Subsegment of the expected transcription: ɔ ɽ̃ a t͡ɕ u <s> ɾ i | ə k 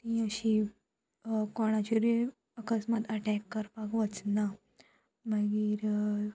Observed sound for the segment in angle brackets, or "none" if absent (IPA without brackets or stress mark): none